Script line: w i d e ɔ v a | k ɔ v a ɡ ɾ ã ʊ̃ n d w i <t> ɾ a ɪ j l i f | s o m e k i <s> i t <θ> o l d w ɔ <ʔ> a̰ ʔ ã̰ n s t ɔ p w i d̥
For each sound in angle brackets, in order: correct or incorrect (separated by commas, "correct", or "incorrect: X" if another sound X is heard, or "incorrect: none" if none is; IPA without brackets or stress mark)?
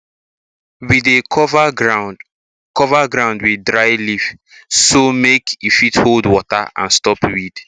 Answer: incorrect: d, incorrect: f, incorrect: h, incorrect: t